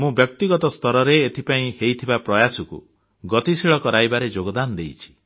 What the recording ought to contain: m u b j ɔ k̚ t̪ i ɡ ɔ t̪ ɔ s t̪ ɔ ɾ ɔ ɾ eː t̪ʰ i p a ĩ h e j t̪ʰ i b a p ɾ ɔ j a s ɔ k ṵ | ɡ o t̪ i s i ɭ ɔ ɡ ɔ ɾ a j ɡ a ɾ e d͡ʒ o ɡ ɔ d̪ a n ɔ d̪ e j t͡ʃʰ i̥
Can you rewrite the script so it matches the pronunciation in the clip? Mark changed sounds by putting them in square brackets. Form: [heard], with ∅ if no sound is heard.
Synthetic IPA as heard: m [ũ] b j ɔ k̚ t̪ i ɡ ɔ t̪ ɔ s t̪ ɔ ɾ ɔ ɾ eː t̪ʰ i p a ĩ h e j t̪ʰ i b a p ɾ ɔ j a s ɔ k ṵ | ɡ [ɔ] t̪ i s i ɭ ɔ [k] ɔ ɾ a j [b] a ɾ e d͡ʒ o ɡ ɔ d̪ a n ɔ d̪ e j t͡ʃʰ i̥